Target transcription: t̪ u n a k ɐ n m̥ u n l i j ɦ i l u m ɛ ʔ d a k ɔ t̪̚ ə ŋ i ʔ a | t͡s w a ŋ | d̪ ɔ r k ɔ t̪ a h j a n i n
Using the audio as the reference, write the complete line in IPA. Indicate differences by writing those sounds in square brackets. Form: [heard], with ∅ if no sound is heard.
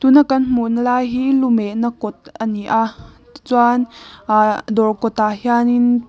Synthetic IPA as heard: t̪ u n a k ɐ n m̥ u n l [a] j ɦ i l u m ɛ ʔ [n] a k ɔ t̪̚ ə [n] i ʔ a | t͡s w a [n] | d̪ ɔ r k ɔ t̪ a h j a n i n